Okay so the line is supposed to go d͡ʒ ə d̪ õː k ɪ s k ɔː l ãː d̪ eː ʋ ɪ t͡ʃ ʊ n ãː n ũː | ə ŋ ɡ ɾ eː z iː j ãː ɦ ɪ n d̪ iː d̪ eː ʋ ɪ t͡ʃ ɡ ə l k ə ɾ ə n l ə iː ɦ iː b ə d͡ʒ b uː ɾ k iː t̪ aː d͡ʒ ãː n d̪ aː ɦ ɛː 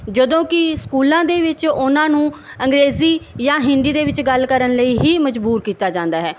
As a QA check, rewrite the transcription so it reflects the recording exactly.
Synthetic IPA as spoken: d͡ʒ ə d̪ õː k ɪ s k uː l ãː d̪ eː ʋ ɪ t͡ʃ ʊ n ãː n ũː | ə ŋ ɡ ɾ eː z iː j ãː ɦ ɪ n d̪ iː d̪ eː ʋ ɪ t͡ʃ ɡ ə l k ə ɾ ə n l ə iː ɦ iː m ə d͡ʒ b uː ɾ k iː t̪ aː d͡ʒ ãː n d̪ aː ɦ ɛː